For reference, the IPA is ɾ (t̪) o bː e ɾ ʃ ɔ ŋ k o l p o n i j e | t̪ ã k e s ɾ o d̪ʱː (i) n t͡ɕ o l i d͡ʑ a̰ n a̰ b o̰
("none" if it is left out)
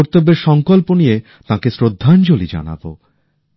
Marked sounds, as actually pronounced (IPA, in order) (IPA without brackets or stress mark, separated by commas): t̪, a